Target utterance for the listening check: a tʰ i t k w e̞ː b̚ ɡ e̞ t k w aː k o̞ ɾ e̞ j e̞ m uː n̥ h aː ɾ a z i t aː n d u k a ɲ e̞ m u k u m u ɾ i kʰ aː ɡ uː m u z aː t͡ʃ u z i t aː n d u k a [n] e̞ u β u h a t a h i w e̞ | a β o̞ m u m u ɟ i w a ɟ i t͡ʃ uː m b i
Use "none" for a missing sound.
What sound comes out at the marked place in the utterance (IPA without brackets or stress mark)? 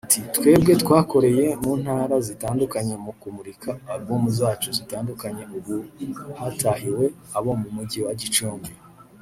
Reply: ɲ